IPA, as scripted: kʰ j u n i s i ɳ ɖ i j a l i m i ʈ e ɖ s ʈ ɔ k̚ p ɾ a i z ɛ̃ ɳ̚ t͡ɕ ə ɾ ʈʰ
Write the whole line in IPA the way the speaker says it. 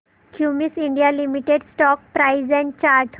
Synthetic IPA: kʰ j u m i s i ɳ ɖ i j a l i m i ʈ e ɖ s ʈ ɔ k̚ p ɾ a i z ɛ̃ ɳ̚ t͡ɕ a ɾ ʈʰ